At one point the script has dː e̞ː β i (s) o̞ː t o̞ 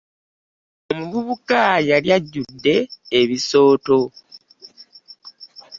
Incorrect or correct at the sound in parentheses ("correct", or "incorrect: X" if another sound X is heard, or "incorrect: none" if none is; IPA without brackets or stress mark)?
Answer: correct